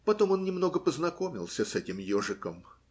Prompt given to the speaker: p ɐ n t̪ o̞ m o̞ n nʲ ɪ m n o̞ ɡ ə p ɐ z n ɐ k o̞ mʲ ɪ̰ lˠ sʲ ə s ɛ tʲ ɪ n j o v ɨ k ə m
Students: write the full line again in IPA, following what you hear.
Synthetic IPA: p ɐ t̪ o̞ m o̞ n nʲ ɪ m n o̞ ɡ ə p ə z n ɐ k o̞ mʲ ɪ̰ lˠ sʲ ə s ɛ tʲ ɪ m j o ʐ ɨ k ə m